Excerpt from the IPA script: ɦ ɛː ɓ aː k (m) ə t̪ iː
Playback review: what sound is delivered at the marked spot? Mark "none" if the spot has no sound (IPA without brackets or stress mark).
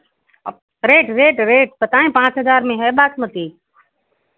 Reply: m